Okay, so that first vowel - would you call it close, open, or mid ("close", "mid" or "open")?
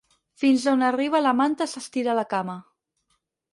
close